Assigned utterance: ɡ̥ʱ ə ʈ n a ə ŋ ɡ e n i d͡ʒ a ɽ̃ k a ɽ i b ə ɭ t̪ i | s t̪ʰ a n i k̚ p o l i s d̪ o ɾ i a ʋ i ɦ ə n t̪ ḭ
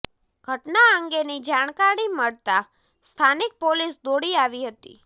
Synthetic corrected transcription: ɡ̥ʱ ə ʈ n a ə ŋ ɡ e n i d͡ʒ a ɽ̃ k a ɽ i m ə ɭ t̪ a | s t̪ʰ a n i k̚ p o l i s d̪ o ɽ i a ʋ i ɦ ə t̪ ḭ